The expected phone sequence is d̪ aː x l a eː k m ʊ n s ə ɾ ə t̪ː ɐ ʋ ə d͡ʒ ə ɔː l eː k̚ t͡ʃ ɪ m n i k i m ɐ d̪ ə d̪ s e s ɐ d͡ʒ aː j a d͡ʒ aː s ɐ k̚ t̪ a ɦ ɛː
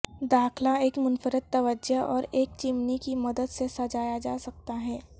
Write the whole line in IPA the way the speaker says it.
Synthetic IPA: d̪ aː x l a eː k m ʊ n f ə ɾ ə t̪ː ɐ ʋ ə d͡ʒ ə ɔː ɾ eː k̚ t͡ʃ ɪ m n i k i m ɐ d̪ ə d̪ s e s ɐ d͡ʒ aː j a d͡ʒ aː s ɐ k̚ t̪ a ɦ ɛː